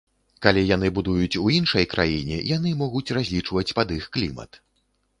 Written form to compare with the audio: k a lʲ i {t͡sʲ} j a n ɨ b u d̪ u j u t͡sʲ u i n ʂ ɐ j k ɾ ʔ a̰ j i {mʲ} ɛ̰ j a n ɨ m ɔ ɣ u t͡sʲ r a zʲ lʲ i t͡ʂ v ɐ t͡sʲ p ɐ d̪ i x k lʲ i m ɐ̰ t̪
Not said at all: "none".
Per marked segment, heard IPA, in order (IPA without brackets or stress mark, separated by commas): none, nʲ